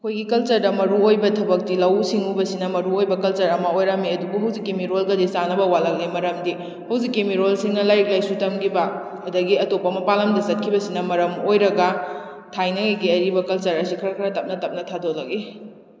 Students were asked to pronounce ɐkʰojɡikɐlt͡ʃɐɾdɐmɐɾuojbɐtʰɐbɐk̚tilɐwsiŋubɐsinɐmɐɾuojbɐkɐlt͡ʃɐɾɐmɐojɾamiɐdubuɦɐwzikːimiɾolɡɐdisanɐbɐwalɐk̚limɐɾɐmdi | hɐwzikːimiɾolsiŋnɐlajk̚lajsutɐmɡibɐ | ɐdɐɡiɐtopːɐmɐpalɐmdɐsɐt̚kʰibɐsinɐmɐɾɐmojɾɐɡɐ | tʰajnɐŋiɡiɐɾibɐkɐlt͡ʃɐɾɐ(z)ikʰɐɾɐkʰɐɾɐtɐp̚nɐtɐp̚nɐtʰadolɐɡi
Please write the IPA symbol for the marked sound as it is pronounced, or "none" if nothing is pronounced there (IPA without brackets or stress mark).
s